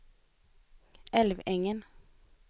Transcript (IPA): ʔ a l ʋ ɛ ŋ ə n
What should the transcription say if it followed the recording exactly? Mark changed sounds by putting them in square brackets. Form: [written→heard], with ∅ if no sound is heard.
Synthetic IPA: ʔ [a→ɛ] l ʋ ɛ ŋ ə n